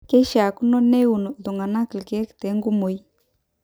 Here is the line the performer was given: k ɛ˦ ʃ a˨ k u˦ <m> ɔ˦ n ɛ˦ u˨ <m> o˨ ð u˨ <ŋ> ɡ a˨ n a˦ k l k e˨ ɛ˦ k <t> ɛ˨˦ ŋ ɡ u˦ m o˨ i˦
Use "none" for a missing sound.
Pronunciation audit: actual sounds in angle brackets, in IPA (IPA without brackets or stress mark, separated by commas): n, n, ŋ, t